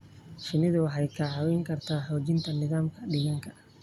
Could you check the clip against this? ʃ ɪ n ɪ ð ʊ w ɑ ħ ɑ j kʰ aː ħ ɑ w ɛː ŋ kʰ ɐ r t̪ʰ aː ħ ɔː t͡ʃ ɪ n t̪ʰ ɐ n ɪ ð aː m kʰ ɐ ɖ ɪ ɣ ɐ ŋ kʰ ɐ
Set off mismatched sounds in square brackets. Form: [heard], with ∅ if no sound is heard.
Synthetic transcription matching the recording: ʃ ɪ n ɪ ð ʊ w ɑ ħ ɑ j kʰ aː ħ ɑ w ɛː ŋ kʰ ɐ r t̪ʰ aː ħ ɔː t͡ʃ ɪ n t̪ʰ ɐ n ɪ ð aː m kʰ ɐ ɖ ɪ ɣ ɐ ŋ kʰ ɐ